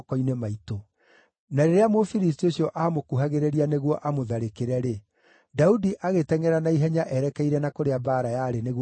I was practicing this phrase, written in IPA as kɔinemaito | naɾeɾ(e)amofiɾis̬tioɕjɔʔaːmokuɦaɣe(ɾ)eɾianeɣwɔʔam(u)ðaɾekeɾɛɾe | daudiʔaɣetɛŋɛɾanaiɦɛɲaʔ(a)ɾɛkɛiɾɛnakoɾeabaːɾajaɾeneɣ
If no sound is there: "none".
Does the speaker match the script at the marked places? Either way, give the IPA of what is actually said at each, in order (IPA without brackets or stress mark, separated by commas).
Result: e, ɾ, o, ɛ